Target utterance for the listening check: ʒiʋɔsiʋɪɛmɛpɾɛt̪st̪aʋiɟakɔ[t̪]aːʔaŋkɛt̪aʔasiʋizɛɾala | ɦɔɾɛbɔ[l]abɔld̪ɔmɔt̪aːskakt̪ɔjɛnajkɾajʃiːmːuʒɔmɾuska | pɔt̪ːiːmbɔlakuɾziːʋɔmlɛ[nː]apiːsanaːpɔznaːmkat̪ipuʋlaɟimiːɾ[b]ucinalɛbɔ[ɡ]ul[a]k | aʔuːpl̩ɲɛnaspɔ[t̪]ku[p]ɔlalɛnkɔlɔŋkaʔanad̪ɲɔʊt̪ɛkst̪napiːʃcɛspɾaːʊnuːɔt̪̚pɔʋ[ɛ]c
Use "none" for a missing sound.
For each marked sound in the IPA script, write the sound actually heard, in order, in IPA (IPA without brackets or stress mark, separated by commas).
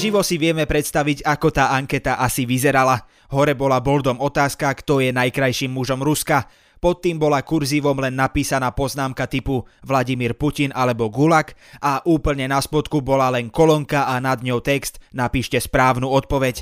t̪, l, nː, p, ɡ, a, t̪, b, ɛ